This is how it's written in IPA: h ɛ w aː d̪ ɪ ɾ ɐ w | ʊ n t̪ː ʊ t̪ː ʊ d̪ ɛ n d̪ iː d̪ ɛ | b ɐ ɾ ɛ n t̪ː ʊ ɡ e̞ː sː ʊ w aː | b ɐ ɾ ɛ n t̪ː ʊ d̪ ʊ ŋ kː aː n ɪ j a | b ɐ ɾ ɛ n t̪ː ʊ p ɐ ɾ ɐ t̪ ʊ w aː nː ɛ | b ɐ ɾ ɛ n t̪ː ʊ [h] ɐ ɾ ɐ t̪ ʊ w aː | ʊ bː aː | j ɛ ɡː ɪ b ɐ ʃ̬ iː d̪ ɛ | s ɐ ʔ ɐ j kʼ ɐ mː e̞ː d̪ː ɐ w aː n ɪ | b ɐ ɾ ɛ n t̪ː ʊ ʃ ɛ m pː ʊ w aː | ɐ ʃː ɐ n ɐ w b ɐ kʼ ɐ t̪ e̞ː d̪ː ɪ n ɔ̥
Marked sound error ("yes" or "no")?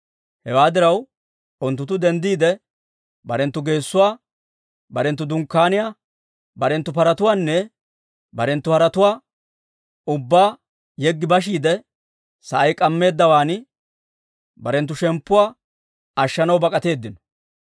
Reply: no